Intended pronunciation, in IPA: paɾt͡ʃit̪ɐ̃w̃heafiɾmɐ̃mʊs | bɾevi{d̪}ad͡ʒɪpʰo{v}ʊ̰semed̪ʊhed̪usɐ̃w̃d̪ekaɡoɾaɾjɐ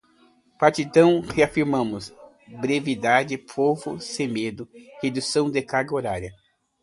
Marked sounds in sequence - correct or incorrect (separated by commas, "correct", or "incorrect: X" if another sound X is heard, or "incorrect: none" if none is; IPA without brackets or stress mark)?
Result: correct, correct